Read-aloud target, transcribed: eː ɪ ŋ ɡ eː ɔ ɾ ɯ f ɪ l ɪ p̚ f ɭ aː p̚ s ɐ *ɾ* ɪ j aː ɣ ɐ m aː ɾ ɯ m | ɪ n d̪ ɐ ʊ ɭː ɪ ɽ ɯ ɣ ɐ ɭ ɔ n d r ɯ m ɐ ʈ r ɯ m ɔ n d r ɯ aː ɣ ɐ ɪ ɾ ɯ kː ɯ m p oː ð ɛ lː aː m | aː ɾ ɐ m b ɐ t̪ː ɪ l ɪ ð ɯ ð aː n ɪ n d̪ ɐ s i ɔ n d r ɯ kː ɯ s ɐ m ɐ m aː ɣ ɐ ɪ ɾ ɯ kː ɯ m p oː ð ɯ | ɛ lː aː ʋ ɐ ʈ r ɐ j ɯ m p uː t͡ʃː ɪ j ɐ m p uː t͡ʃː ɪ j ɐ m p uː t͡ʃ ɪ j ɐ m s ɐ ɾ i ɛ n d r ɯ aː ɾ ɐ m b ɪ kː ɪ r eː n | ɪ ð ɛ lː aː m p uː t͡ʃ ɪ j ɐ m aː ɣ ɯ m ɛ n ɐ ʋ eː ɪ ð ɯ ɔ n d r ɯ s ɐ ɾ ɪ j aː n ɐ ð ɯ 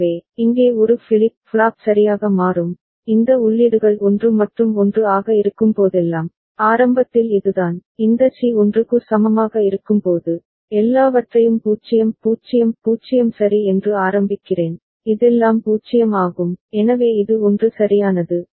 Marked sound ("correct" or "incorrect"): correct